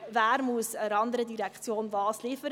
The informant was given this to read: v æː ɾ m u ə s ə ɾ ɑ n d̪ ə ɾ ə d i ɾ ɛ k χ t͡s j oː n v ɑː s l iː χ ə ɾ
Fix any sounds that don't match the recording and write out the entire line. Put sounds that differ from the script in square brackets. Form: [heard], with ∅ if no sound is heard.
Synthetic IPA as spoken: v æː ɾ m u ə s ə ɾ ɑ n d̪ ə ɾ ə d i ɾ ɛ k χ t͡s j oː n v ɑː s l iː [f] ə ɾ